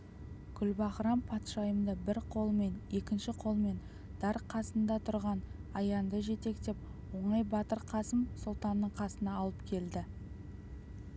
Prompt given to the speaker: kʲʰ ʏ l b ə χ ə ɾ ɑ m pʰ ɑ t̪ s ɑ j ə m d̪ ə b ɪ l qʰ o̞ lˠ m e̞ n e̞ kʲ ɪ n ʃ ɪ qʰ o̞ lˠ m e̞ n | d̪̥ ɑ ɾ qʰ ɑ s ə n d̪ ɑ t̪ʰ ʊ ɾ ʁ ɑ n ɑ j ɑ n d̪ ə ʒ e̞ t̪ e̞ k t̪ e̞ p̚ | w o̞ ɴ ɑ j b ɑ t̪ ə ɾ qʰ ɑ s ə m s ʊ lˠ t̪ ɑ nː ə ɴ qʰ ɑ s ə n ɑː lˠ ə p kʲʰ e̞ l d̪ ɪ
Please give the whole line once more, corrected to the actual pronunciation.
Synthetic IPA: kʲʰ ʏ l b ɑ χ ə ɾ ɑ m pʰ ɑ t̪ ʃ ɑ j ə m d̪ ə b ɪ ɾ qʰ o̞ lˠ m e̞ n e̞ kʲ ɪ n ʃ ɪ qʰ o̞ lˠ m e̞ n | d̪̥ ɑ ɾ qʰ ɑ s ə n d̪ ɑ t̪ʰ ʊ ɾ ʁ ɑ n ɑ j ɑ n d̪ ə ʒ e̞ t̪ e̞ k t̪ e̞ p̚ | w o̞ ɴ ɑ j b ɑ t̪ ə ɾ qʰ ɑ s ə m s ʊ lˠ t̪ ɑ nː ə ɴ qʰ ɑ s ə n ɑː lˠ ə p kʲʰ e̞ l d̪ ɪ